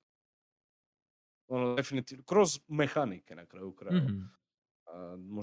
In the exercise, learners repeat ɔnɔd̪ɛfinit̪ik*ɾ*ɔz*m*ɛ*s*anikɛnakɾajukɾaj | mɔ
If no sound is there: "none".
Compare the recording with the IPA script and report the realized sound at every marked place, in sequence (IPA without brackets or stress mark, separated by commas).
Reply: ɾ, m, x